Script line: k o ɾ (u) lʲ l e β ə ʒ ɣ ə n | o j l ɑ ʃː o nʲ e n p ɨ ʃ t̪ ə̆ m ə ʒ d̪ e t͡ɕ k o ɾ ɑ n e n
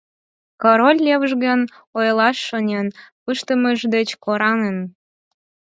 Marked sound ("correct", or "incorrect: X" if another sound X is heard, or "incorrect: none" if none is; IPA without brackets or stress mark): incorrect: o